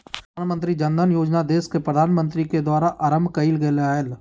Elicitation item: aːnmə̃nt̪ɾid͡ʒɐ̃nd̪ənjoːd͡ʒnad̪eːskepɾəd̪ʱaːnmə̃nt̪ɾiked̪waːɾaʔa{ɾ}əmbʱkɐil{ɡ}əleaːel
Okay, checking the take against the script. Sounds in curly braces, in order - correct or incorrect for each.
correct, correct

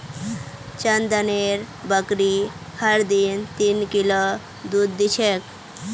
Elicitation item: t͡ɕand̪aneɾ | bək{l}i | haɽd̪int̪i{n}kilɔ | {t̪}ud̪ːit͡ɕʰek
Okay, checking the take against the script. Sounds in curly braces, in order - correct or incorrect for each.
incorrect: ɾ, correct, incorrect: d̪

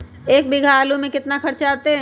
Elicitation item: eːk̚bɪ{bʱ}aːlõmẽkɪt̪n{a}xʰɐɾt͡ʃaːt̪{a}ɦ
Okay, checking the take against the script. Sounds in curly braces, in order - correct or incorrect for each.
incorrect: ɡʱ, correct, incorrect: e

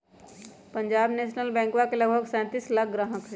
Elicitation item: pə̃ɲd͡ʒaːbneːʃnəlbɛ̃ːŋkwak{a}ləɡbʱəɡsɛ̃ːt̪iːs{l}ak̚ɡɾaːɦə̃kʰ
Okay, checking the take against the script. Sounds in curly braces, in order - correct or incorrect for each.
incorrect: e, correct

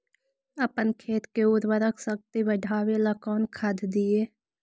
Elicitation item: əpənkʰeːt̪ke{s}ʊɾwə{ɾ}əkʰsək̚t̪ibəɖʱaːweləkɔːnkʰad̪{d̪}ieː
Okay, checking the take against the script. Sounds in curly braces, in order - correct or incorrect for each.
incorrect: none, correct, correct

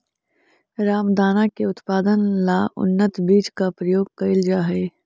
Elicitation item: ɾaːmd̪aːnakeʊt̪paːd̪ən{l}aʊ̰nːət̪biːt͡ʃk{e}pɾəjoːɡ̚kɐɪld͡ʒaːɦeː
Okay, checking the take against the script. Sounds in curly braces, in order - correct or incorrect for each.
correct, incorrect: a

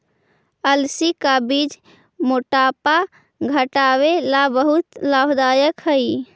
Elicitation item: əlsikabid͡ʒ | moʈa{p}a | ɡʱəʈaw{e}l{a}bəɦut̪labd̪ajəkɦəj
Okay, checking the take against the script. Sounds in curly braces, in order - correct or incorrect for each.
correct, correct, correct

